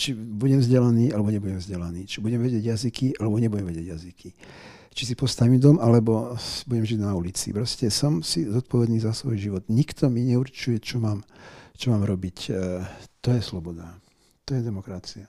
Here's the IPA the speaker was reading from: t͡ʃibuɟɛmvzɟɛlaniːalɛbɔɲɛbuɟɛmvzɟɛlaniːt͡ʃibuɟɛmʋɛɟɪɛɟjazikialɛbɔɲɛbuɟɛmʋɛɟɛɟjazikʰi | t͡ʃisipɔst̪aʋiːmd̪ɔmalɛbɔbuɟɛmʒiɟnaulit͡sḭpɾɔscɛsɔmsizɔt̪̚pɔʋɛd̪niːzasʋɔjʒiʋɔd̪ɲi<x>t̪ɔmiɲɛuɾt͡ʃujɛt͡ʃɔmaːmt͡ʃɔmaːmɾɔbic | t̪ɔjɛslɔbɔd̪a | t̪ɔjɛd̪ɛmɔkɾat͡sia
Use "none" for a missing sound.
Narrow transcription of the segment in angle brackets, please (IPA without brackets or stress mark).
k